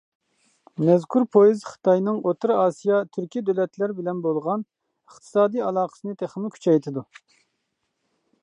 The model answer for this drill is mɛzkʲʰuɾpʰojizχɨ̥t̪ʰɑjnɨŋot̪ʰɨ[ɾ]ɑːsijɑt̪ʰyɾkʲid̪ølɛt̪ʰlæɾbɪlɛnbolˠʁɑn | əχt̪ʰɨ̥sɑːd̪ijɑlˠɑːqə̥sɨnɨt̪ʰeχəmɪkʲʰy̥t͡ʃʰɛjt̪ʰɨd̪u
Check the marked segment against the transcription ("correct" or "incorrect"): correct